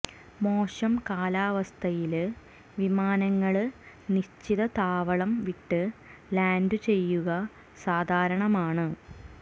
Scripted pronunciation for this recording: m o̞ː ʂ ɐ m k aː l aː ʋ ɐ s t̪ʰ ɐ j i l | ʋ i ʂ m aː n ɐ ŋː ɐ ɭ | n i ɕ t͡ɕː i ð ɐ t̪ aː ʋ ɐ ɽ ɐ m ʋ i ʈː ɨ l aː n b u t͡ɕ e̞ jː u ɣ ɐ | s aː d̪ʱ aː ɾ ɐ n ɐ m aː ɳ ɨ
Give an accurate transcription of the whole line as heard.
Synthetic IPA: m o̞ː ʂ ɐ m k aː l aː ʋ ɐ s t̪ʰ ɐ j i l | ʋ i m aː n ɐ ŋː ɐ ɭ | n i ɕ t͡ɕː i ð ɐ t̪ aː ʋ ɐ ɭ ɐ m ʋ i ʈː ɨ l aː n d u t͡ɕ e̞ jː u ɣ ɐ | s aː d̪ʱ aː ɾ ɐ ɳ ɐ m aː ɳ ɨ